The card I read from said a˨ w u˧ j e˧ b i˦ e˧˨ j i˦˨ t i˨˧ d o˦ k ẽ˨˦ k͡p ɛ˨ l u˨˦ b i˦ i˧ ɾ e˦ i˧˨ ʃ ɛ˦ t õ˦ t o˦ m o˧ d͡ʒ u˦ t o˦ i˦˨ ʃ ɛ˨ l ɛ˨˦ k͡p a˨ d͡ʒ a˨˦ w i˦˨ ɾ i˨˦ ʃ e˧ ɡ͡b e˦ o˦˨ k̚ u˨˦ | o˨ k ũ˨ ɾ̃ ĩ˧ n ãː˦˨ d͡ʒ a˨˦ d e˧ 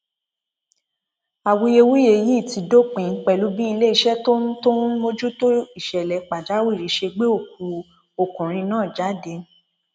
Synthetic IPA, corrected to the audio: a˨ w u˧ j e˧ w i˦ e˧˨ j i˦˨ t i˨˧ d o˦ k͡p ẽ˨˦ k͡p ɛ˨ l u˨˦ b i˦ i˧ l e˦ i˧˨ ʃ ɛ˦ t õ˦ t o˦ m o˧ d͡ʒ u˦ t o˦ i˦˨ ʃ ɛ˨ l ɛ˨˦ k͡p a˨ d͡ʒ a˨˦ w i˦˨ ɾ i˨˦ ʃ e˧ ɡ͡b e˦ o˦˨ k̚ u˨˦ | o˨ k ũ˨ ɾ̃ ĩ˧ n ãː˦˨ d͡ʒ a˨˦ d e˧